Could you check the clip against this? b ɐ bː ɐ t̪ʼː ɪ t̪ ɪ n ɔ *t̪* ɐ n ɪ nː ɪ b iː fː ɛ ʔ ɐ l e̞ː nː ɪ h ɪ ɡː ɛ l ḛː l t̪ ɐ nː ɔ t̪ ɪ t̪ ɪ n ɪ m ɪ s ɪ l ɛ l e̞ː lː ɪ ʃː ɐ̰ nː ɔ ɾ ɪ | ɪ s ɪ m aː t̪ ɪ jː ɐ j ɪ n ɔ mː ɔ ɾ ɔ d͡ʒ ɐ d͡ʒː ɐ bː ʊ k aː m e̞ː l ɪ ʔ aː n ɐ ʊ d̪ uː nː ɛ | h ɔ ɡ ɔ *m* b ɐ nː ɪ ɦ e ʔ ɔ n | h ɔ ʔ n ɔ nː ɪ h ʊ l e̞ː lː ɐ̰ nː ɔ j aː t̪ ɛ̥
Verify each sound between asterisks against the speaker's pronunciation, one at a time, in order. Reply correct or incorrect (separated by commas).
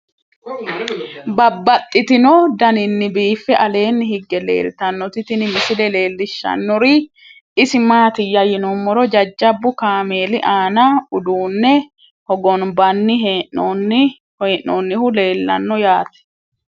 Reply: incorrect, incorrect